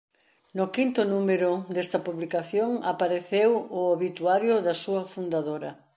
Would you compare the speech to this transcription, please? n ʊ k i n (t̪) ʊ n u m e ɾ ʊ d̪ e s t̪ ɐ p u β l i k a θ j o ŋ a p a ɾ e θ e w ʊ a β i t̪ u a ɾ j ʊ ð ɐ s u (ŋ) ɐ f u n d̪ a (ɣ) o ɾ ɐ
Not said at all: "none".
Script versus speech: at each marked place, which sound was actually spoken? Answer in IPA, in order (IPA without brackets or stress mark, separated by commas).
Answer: t̪, none, ð